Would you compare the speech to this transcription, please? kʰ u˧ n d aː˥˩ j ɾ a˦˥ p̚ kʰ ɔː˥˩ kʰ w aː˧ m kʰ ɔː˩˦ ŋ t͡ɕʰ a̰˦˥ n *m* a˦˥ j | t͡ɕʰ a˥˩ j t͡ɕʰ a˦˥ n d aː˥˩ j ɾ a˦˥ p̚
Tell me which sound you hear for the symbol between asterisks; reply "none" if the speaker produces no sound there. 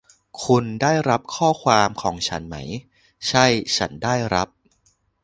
m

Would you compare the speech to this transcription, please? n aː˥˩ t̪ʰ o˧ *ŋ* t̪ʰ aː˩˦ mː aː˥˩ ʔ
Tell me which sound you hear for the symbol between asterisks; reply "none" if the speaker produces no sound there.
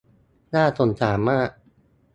n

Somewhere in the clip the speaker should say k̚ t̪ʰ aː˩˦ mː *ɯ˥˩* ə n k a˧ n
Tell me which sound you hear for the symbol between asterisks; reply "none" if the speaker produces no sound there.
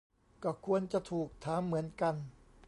ɯ˩˦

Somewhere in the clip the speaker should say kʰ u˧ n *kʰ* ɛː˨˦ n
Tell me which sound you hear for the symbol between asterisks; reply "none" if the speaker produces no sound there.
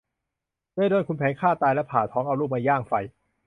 pʰ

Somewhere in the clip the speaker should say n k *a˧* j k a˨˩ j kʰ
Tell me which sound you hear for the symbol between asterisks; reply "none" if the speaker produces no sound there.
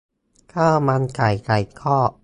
a˨˩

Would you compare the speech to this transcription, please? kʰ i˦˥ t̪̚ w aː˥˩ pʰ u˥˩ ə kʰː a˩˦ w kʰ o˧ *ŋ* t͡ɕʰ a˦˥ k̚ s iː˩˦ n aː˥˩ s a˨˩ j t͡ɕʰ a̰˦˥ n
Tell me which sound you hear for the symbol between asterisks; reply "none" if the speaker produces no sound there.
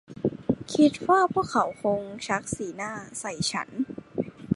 ŋ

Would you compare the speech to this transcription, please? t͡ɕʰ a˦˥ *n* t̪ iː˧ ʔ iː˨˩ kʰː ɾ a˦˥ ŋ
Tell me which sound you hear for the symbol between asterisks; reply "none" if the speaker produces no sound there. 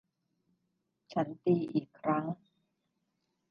n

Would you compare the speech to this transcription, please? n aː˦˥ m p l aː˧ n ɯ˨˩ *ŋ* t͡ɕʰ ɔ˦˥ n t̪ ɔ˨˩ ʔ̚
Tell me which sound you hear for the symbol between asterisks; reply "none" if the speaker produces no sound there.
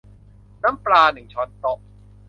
ŋ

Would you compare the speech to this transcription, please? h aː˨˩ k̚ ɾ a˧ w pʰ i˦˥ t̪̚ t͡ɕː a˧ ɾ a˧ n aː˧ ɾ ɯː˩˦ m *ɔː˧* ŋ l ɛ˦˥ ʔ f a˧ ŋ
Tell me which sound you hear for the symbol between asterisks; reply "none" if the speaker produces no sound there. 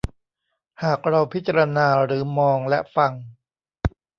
ɔː˧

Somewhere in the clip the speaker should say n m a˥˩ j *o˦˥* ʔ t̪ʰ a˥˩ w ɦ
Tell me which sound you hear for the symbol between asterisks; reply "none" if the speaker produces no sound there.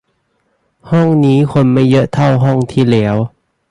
ɤ˦˥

